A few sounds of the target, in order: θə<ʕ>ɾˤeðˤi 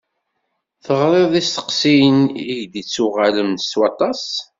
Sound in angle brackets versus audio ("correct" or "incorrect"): incorrect